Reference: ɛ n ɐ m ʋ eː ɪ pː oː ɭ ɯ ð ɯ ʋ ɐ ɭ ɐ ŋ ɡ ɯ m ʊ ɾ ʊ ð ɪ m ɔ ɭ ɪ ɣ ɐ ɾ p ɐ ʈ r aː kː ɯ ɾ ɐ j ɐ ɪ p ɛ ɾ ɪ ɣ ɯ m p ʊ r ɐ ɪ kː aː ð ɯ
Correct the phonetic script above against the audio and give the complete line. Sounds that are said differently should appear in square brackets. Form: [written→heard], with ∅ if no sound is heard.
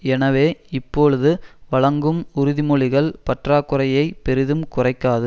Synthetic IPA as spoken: ɛ n ɐ [m→∅] ʋ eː ɪ pː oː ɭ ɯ ð ɯ ʋ ɐ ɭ ɐ ŋ ɡ ɯ m ʊ ɾ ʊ ð ɪ m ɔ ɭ ɪ ɣ ɐ [ɾ→ɭ] p ɐ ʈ r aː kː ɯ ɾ ɐ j ɐ ɪ p ɛ ɾ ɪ [ɣ→ð] ɯ m [p→k] ʊ r ɐ ɪ kː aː ð ɯ